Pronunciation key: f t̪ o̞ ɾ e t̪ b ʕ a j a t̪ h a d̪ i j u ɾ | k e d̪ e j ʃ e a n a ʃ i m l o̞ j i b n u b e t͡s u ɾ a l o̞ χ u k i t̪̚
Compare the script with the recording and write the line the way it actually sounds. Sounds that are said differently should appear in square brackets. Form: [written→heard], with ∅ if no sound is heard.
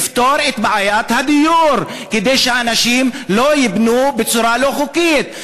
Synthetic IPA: f t̪ o̞ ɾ e t̪ b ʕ a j a t̪ h a d̪ i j u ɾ | k e d̪ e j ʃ e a n a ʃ i m l o̞ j i b n u b e t͡s u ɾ a l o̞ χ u k i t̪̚